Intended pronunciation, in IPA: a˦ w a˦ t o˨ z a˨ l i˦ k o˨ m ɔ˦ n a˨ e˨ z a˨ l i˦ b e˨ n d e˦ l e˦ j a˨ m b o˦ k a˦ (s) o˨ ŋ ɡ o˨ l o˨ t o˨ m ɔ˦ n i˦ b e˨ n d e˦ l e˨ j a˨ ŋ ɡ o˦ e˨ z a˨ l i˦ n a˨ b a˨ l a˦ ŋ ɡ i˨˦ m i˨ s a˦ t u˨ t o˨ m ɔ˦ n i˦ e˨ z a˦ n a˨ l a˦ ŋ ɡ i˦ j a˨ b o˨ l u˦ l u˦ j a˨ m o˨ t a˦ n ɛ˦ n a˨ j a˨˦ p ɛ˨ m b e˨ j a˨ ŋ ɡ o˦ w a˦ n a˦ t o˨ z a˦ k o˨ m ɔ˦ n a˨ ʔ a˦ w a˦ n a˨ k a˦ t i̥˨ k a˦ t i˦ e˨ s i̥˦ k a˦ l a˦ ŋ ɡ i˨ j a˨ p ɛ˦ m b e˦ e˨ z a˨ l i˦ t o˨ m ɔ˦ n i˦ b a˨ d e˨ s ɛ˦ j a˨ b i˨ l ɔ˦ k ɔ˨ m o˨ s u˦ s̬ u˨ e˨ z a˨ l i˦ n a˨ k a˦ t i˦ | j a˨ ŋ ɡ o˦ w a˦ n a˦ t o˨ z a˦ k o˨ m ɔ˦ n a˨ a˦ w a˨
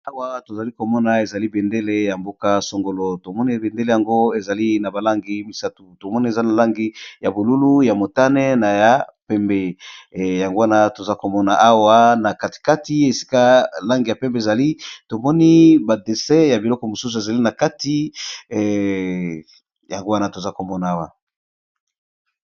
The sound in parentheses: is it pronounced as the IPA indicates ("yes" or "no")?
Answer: yes